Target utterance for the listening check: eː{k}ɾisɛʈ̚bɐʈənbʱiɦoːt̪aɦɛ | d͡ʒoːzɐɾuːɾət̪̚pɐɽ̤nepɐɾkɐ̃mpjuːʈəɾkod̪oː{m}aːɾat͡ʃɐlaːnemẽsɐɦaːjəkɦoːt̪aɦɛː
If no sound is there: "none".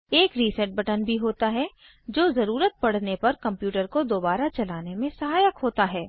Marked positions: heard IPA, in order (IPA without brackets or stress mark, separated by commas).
k, b